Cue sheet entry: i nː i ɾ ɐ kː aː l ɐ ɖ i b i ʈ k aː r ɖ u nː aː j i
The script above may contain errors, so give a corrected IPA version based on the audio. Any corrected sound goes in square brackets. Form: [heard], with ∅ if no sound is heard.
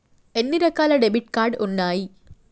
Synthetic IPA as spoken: [e] nː i ɾ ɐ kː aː l ɐ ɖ [e] b i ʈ k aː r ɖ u nː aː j i